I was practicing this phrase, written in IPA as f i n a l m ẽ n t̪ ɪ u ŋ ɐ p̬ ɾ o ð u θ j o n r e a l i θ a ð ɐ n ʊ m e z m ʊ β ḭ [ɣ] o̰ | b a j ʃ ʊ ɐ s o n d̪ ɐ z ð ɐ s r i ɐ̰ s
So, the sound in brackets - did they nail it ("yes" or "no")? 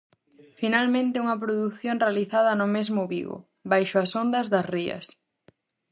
yes